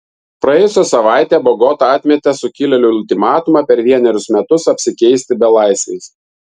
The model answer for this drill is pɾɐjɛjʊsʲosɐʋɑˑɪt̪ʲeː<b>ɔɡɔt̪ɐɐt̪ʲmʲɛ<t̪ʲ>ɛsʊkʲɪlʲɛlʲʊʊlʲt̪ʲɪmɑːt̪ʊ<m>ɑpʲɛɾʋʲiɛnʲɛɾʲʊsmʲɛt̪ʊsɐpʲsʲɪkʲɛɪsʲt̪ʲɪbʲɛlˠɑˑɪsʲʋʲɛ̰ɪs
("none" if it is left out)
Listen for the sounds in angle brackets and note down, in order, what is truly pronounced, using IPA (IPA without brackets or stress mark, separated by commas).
b, t̪ʲ, m